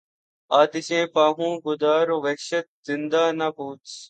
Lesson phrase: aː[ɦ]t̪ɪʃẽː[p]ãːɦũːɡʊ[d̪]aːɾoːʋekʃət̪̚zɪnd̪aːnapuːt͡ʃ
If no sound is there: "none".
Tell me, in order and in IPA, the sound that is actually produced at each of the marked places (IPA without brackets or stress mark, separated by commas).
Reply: none, p, d̪